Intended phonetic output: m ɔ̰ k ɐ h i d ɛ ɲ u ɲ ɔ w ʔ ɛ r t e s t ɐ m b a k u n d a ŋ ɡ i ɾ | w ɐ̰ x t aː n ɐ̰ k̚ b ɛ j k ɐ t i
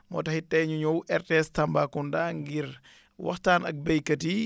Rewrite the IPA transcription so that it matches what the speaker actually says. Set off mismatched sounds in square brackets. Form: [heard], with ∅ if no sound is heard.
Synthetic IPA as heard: m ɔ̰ [t] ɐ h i [t] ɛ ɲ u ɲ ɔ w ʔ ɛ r t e s t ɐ m b a k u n d a ŋ ɡ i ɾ | w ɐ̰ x t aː n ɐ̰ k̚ b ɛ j k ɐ t i

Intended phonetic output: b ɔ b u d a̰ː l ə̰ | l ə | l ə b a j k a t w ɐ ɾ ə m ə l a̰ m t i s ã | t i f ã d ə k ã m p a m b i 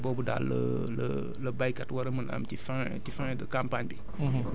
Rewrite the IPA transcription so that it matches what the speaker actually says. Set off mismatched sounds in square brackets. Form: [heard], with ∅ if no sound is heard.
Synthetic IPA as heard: b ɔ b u d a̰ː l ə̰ | l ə | l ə b a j k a t w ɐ ɾ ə m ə l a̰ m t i [f] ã | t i f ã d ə k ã m p a [ɲ] b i

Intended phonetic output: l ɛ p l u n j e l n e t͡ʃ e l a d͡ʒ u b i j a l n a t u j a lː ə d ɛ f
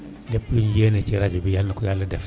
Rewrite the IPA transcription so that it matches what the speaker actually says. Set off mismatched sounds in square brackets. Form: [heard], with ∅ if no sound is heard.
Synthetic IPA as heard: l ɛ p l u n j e [∅] n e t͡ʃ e [ɾ] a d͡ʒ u b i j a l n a [k] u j a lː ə d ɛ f

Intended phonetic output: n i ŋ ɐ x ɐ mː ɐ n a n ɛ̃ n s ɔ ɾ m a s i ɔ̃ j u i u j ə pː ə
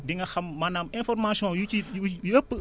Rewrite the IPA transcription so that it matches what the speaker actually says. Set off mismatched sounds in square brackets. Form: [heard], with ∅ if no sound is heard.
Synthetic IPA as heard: [d] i ŋ ɐ x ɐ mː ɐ n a [m] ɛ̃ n [f] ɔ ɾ m a s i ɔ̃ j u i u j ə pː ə

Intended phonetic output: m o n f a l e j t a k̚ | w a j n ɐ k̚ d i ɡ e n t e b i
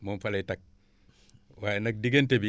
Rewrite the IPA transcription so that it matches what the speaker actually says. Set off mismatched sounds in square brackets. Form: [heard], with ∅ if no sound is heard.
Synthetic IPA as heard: m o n f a l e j t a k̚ | w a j n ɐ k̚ d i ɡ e n t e b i

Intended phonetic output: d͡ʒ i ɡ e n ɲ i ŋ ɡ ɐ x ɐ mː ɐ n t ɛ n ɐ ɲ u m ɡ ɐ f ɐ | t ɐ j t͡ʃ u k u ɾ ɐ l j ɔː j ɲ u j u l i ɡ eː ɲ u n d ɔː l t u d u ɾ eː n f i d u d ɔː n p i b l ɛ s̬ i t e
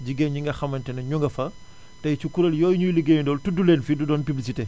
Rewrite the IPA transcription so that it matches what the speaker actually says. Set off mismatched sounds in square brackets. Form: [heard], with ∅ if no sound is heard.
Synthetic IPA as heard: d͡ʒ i ɡ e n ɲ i ŋ ɡ ɐ x ɐ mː ɐ n t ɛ n ɐ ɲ u [ŋ] ɡ ɐ f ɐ | t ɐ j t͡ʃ u k u ɾ ɐ l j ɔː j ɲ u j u l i ɡ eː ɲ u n d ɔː l t u d u [l] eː n f i d u d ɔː n p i b l [i] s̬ i t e

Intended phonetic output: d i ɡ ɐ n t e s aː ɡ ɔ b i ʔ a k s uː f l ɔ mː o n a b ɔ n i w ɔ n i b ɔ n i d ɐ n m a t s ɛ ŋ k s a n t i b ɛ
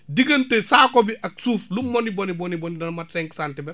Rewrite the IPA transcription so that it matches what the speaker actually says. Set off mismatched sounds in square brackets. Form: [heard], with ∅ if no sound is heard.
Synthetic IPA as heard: d i ɡ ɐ n t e s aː [k] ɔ b i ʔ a k s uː f l [u] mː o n [i] b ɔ n i [b] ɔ n i b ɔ n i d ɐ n m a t s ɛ ŋ k s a n t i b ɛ

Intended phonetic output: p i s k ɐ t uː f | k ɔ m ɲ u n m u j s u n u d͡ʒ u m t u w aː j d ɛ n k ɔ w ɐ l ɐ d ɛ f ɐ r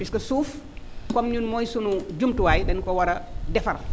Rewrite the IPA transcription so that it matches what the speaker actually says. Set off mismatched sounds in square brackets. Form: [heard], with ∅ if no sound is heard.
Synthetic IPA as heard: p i s k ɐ [s] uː f | k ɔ m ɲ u n m [ɔ] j s u n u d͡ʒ u m t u w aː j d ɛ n k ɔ w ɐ [ɾ] ɐ d ɛ f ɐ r

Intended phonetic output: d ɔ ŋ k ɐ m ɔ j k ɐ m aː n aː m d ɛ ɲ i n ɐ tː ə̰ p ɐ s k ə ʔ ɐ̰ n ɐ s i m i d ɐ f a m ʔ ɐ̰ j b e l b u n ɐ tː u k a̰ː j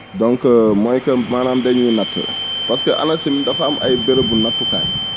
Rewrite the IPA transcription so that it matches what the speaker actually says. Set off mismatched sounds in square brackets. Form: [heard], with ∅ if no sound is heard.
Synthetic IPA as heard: d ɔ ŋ k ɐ m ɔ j k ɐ m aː n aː m d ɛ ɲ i n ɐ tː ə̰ p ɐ s k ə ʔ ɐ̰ n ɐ s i m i d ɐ f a m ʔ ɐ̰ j b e [ɾ] b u n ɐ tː u k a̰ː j

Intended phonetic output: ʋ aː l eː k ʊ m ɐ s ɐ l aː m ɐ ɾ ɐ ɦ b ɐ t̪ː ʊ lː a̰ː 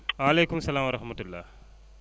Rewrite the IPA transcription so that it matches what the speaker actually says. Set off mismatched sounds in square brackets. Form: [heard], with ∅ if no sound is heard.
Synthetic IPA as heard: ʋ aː l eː k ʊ m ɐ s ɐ l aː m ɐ ɾ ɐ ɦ [m] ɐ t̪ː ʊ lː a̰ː

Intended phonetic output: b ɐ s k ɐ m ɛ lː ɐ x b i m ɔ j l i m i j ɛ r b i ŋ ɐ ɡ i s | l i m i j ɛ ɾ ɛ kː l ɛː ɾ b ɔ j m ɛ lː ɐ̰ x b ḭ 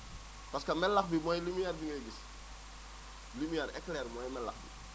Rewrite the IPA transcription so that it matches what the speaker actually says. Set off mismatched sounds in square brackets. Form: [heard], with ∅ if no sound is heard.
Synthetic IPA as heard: [p] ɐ s k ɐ m ɛ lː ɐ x b i m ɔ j l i m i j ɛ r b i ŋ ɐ ɡ i s | l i m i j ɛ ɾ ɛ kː l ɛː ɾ [m] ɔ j m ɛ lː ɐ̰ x b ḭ

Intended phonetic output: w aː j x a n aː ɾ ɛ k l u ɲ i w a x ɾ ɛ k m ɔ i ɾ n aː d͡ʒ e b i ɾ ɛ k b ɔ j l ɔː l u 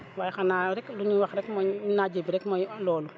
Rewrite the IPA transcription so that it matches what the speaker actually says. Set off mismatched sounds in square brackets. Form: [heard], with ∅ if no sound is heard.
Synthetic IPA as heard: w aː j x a n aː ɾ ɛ k l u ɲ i w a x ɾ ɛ k m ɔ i [∅] n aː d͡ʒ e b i ɾ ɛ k [m] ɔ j l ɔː l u

